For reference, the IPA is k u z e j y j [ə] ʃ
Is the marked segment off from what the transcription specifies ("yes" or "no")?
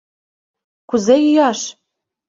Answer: yes